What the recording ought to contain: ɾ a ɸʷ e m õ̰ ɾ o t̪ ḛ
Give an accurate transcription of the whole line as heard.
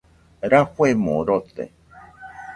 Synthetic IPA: ɾ a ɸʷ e m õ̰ ɾ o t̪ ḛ